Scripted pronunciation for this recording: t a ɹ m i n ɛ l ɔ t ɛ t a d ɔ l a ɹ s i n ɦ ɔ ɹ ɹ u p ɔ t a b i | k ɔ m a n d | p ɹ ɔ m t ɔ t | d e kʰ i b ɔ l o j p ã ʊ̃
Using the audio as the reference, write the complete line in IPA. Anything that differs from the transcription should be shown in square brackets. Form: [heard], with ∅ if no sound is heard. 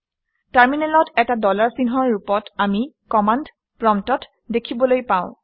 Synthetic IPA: t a ɹ m i n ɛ l ɔ t ɛ t a d ɔ l a ɹ s i n ɦ ɔ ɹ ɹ u p ɔ t a [m] i | k ɔ m a n d | p ɹ ɔ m t ɔ t | d e kʰ i b ɔ l o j p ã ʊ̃